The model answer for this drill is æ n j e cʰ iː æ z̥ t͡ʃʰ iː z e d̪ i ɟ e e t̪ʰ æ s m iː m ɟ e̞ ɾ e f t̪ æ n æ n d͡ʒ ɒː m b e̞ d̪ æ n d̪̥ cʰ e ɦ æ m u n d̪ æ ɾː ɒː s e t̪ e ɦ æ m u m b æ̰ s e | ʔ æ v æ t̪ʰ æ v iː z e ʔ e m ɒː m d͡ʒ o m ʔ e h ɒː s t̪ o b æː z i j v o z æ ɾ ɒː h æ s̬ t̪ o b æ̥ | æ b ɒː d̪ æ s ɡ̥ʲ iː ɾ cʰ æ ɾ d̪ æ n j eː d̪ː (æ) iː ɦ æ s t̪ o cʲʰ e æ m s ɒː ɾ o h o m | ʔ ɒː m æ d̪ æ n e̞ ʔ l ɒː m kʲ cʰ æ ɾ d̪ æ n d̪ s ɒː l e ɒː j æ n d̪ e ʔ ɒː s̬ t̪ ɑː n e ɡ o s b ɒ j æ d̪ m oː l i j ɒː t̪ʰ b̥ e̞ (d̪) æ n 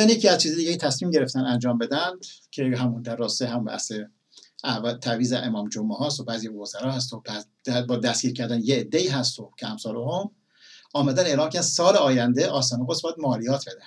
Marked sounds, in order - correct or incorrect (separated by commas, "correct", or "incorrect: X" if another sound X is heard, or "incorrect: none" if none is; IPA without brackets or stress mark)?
incorrect: e, correct